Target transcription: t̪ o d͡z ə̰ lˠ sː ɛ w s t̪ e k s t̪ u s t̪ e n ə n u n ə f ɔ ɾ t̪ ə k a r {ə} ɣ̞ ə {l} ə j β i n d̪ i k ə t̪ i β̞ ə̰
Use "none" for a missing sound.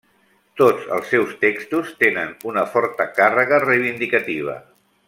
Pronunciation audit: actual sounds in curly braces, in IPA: ə, r

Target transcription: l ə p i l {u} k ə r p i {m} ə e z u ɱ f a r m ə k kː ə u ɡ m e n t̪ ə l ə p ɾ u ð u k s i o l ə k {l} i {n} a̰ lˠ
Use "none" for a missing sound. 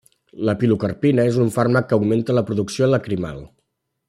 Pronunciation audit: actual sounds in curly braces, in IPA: u, n, ɾ, m

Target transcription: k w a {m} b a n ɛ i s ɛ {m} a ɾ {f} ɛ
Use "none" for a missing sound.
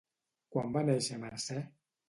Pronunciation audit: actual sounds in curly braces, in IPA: m, m, s

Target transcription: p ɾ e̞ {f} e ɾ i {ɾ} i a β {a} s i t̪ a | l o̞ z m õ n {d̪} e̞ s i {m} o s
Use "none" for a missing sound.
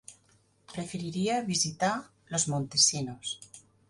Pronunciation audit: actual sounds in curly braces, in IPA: f, ɾ, i, t̪, n

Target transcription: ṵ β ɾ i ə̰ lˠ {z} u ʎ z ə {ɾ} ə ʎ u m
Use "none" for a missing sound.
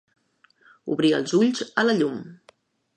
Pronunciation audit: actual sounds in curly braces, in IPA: z, l

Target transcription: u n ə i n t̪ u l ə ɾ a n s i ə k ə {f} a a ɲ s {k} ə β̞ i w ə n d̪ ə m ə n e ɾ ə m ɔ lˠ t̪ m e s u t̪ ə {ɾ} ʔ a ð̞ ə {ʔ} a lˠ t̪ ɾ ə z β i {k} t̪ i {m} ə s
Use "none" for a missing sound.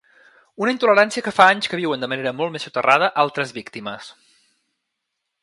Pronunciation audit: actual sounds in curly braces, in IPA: f, k, r, ʔ, k, m

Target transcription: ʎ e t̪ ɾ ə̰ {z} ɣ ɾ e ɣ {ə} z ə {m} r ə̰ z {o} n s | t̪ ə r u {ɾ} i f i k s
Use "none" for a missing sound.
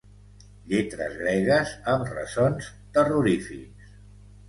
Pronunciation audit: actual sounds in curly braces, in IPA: z, ə, m, o, ɾ

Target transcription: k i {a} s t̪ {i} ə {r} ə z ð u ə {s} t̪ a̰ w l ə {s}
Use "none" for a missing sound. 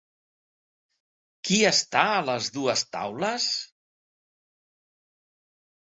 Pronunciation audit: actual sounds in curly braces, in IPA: ə, a, l, s, s

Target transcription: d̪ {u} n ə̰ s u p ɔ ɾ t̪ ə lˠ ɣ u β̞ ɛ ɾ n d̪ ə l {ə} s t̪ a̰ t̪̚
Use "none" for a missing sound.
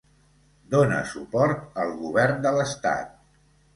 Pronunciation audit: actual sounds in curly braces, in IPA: o, ə

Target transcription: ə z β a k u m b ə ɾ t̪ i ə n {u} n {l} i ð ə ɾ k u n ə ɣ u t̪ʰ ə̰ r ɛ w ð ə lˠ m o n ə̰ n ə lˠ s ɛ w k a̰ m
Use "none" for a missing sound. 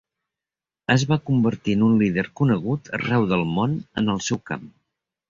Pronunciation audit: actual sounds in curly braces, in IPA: u, l

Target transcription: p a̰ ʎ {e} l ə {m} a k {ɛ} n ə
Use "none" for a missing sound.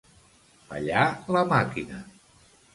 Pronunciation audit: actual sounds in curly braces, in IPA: a, m, i

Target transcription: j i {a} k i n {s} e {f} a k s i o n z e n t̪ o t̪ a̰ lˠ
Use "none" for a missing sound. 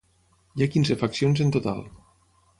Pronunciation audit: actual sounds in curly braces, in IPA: a, z, f

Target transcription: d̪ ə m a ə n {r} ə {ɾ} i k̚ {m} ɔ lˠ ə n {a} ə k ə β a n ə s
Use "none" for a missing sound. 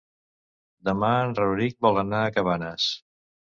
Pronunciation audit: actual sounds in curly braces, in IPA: r, ɾ, b, a

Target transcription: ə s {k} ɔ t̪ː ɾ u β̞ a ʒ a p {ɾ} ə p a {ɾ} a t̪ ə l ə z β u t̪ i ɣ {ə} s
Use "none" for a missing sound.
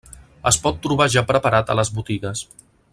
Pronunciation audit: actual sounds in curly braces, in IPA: p, ɾ, ɾ, ə

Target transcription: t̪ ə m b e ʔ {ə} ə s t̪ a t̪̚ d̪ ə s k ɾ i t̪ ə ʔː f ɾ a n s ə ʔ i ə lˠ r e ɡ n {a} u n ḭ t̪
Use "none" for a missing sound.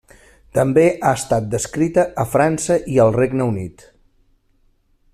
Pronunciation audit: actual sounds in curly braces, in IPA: a, ə

